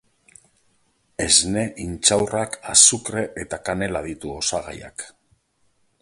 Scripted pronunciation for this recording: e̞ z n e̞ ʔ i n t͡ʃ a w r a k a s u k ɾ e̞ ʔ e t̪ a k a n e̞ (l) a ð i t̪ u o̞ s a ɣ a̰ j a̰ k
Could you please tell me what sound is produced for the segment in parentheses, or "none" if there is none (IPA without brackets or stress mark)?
l